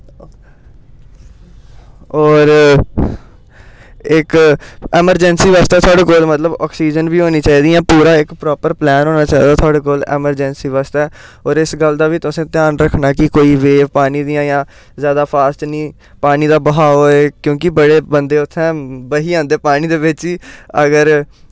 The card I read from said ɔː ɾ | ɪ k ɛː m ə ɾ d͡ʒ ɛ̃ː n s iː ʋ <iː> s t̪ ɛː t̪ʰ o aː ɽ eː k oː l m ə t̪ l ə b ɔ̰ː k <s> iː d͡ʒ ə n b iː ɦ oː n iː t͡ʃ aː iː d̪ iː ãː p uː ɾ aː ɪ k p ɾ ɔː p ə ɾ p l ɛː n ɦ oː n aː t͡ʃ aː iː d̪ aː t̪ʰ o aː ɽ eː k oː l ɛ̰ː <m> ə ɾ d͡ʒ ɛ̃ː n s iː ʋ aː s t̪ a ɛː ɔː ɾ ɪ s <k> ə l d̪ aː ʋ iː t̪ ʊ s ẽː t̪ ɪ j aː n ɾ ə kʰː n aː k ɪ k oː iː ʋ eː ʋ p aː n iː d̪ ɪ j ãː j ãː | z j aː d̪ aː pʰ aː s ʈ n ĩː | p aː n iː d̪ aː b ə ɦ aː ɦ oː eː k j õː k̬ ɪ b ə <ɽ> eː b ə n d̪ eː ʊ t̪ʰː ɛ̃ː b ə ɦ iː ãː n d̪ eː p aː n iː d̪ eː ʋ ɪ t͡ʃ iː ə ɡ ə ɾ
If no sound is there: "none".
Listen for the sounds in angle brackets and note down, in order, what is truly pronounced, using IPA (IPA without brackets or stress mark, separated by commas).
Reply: aː, s, m, ɡ, ɽ